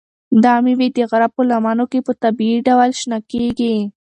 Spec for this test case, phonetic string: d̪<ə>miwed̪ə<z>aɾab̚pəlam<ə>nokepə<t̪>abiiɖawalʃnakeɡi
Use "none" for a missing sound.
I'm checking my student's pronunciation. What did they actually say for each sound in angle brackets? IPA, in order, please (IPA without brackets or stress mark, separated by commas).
ɑ, ɣ, ɑ, t̪